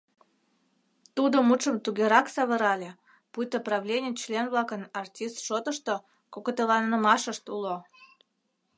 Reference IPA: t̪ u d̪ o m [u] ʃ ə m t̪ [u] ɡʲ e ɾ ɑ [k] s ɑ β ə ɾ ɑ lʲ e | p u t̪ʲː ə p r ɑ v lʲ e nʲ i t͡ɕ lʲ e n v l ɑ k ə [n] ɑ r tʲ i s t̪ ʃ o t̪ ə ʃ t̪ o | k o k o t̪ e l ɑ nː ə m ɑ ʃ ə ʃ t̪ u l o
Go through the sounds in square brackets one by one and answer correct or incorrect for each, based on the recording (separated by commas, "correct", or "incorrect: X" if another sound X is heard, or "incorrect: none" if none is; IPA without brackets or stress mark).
correct, correct, correct, correct